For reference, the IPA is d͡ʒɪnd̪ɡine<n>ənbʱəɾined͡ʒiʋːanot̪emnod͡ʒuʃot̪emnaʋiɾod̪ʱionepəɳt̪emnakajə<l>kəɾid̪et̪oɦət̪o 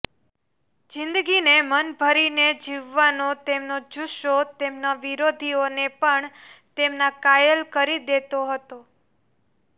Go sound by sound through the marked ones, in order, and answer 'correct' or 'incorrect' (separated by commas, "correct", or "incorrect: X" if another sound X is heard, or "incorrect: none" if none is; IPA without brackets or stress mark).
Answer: incorrect: m, correct